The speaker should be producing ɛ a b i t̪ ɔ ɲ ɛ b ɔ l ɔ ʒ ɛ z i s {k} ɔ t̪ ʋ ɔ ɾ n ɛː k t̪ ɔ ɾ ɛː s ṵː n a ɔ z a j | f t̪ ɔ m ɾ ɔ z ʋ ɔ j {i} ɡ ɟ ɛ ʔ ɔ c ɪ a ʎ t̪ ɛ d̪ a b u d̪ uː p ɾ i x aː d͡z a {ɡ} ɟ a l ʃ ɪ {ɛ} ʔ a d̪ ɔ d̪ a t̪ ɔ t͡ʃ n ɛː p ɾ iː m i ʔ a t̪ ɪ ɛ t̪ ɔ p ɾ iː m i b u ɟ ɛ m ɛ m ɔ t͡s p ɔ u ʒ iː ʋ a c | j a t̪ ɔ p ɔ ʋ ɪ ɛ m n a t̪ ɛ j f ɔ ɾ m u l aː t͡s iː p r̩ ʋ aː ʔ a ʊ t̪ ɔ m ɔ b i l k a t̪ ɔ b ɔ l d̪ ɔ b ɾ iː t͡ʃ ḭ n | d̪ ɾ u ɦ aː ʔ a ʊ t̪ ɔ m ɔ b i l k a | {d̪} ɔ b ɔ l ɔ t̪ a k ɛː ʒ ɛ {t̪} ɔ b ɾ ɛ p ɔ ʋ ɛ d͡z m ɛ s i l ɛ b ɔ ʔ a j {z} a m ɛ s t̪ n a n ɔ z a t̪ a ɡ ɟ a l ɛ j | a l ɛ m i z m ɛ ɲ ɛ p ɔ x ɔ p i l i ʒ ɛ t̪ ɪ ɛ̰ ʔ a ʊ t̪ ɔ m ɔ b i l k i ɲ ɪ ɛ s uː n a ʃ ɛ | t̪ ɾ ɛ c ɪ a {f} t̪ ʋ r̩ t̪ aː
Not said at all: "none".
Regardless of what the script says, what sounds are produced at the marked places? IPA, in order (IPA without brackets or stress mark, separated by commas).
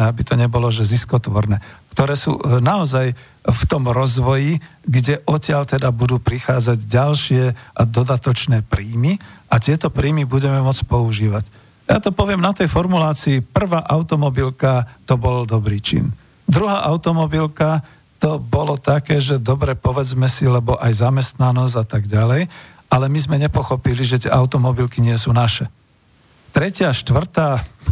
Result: k, i, ɟ, ɛ, t̪, d̪, z, ʃ